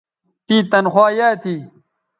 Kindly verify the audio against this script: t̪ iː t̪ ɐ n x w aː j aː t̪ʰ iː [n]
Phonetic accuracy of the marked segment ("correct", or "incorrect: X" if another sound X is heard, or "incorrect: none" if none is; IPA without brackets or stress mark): incorrect: none